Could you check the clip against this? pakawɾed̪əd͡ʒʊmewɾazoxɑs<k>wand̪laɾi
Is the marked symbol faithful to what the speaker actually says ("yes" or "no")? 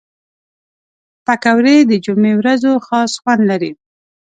no